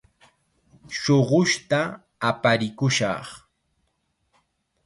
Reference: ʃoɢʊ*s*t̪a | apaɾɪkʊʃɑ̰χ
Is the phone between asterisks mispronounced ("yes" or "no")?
yes